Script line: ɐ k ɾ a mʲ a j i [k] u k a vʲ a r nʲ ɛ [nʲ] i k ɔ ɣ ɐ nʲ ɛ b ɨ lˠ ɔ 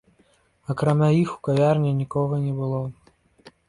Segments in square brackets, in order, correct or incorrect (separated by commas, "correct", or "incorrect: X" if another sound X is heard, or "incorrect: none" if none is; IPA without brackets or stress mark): incorrect: x, correct